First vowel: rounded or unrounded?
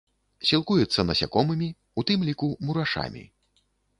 unrounded